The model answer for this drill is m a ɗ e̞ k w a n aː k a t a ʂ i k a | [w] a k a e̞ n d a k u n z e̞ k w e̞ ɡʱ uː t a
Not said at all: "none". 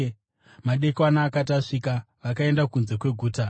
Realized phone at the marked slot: ʋ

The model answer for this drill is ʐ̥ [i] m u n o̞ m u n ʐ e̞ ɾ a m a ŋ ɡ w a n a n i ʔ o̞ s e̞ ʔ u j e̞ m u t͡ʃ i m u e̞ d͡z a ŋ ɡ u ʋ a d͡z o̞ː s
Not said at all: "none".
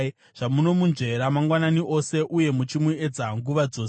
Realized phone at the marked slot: a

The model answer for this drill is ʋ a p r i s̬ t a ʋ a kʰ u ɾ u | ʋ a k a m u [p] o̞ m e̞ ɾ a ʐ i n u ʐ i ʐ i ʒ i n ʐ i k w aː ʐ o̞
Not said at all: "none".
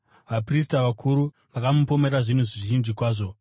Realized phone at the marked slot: p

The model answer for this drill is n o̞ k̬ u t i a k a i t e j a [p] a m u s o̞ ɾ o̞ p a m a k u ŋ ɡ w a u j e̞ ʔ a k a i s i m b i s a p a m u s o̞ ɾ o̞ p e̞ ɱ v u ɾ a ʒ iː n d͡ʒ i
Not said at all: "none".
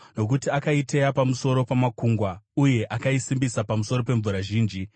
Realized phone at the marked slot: p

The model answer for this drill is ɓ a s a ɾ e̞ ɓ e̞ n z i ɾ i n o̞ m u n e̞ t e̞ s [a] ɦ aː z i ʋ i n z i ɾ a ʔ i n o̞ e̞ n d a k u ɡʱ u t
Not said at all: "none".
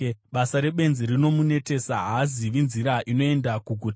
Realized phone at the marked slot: a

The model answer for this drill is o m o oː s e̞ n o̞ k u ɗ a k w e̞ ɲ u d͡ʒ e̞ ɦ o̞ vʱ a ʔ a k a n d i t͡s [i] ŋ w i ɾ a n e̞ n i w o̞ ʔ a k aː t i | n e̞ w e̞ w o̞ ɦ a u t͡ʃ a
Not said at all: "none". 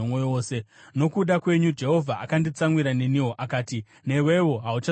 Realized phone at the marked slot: a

